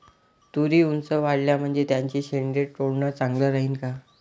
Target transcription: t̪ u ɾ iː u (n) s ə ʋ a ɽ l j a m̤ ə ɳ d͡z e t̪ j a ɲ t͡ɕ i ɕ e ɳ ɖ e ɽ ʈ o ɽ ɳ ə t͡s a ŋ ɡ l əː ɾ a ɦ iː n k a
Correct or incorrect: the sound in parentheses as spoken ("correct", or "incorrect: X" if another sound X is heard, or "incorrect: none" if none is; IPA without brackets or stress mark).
correct